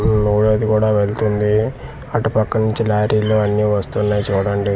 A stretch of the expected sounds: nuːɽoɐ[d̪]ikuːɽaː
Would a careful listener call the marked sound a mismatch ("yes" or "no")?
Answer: no